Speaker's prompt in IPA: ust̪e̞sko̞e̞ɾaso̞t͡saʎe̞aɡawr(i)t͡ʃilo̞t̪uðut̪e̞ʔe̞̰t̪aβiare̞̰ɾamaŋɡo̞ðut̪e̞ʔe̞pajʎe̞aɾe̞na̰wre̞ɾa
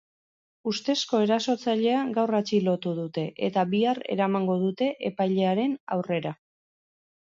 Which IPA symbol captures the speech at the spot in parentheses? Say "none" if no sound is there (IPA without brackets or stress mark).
a